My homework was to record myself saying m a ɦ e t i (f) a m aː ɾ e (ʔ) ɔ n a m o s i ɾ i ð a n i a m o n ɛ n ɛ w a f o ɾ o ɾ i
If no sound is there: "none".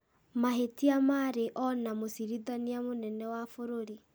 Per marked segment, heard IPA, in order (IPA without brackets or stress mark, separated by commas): none, ʔ